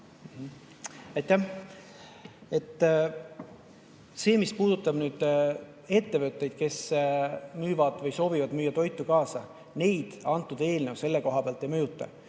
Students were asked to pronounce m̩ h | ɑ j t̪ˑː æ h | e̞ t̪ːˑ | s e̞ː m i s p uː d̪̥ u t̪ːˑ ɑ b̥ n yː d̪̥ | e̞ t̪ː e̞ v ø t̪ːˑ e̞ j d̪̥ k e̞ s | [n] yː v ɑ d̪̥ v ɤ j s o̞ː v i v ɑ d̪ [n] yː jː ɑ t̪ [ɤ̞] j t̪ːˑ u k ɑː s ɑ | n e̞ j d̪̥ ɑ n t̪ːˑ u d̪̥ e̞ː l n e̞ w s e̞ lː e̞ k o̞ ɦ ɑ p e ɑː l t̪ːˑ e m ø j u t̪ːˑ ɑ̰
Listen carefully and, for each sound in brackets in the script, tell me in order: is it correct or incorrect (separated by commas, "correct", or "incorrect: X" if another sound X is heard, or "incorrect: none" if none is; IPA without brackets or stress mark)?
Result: incorrect: m, incorrect: m, incorrect: o̞